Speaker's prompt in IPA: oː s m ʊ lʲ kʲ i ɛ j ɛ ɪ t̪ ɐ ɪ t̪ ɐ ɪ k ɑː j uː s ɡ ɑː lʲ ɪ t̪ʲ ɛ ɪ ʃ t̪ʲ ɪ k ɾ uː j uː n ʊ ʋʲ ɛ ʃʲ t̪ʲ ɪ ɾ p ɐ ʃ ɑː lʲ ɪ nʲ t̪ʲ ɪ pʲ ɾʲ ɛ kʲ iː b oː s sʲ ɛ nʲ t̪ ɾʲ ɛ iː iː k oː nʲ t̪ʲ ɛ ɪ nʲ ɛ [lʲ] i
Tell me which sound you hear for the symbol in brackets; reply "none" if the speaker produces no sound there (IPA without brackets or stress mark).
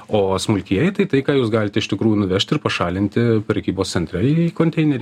ɾʲ